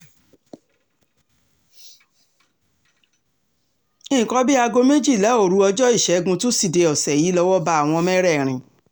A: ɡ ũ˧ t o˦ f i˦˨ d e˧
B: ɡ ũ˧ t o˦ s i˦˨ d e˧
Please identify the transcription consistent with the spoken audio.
B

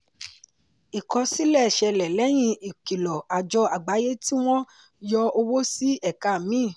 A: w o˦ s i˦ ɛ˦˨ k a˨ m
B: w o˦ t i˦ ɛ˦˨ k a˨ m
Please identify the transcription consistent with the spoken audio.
A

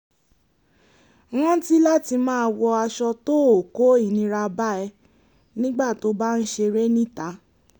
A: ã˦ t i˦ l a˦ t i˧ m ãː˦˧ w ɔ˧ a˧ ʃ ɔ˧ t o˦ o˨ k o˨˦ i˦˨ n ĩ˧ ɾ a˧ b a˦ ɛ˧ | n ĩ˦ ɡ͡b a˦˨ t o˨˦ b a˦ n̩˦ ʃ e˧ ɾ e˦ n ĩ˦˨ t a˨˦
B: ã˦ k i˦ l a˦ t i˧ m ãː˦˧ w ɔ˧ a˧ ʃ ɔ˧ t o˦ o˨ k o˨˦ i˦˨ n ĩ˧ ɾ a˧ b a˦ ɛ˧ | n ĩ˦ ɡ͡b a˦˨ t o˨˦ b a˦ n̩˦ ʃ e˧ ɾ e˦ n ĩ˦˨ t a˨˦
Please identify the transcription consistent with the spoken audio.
A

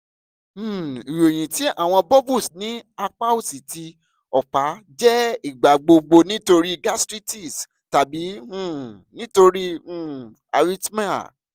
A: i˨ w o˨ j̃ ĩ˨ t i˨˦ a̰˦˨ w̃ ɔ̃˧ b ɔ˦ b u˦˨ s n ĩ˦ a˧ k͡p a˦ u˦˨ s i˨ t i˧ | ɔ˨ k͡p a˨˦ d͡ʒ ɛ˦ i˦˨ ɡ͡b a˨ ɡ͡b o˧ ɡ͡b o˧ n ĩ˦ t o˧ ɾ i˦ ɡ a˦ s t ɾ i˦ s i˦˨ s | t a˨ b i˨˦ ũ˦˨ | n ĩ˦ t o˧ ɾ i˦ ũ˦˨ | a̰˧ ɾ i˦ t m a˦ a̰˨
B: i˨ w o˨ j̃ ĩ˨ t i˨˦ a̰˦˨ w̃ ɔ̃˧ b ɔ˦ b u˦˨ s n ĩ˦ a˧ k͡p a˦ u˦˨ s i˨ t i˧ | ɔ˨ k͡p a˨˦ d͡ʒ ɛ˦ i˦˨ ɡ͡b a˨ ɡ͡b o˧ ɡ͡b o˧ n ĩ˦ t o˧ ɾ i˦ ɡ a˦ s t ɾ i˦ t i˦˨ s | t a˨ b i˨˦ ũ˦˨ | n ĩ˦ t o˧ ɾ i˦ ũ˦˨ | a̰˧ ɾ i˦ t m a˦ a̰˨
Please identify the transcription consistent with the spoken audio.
B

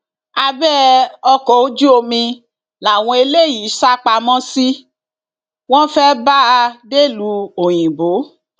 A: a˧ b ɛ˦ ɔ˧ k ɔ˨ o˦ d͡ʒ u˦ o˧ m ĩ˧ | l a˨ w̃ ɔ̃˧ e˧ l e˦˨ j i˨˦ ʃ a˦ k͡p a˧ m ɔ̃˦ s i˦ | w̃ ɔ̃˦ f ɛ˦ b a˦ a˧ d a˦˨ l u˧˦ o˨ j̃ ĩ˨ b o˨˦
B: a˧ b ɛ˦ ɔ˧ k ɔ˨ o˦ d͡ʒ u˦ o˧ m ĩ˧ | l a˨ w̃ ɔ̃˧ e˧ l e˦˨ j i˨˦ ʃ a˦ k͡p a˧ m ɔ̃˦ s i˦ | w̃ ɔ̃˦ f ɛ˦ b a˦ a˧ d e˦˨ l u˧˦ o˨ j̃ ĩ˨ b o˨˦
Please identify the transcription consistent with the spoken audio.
B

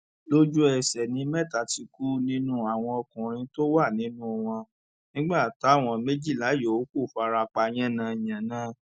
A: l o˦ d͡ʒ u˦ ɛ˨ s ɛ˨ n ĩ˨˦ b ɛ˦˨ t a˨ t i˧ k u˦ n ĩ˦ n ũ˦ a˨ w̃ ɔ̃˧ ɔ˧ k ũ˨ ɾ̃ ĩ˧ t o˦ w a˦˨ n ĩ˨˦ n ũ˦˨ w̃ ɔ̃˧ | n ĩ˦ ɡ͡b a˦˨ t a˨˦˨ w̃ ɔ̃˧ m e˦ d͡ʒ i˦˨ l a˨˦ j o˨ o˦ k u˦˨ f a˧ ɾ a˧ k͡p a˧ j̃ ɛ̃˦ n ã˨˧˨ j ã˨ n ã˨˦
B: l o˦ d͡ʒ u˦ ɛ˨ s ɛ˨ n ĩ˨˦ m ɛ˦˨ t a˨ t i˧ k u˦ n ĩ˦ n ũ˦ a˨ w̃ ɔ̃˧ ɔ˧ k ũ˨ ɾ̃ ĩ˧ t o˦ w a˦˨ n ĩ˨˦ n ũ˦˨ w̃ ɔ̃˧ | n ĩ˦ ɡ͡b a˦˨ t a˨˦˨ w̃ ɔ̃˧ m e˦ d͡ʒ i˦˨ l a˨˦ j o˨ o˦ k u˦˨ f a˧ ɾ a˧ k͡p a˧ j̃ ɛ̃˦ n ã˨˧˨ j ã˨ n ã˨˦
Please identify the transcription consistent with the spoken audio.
B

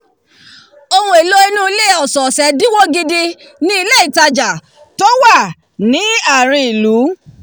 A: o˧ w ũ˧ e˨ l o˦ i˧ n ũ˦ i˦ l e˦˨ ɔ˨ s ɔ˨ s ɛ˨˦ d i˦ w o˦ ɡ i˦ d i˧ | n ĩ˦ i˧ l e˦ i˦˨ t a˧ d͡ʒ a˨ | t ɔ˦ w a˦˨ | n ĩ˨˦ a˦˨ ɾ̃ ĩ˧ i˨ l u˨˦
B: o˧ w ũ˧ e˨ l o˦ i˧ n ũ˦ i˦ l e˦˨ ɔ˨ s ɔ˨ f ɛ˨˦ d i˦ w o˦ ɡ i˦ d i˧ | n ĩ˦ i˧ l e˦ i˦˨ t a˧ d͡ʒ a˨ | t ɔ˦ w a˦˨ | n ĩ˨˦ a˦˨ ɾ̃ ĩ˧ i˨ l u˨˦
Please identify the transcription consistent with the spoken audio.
A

